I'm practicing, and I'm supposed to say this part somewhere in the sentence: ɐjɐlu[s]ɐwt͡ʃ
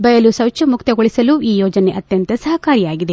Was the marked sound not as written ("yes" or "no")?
no